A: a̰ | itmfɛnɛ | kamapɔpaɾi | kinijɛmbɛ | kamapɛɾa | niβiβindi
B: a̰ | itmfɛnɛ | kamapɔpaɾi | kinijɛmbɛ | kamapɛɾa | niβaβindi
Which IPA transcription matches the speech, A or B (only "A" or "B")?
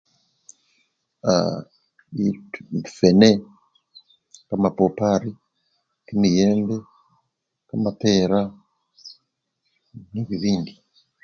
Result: A